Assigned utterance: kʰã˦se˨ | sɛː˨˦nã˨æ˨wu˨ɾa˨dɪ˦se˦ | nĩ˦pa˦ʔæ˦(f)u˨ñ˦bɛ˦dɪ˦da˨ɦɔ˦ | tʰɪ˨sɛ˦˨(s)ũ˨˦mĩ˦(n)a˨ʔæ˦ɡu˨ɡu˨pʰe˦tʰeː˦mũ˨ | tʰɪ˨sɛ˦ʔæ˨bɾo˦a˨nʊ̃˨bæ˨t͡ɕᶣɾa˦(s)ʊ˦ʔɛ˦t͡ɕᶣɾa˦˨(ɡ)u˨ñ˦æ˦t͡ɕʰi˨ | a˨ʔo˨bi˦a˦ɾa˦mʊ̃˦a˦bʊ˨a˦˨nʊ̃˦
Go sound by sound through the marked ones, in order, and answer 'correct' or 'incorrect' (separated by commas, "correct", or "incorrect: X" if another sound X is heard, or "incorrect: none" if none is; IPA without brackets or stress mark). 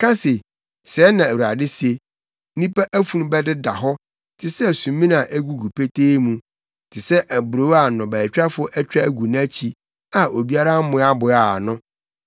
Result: correct, correct, correct, incorrect: f, correct